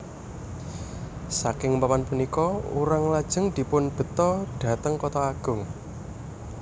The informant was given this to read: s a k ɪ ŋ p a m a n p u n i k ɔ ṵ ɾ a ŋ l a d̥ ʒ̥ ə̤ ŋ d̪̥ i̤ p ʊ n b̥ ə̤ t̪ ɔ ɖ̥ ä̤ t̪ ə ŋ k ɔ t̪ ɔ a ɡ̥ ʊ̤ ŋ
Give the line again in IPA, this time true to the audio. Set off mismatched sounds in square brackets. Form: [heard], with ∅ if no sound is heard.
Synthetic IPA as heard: s a k ɪ ŋ p a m a n p u n i k ɔ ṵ ɾ a ŋ l a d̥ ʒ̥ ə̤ ŋ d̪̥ i̤ p ʊ n b̥ ə̤ t̪ ɔ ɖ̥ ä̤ t̪ ə ŋ k ɔ t̪ ɔ a ɡ̥ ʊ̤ ŋ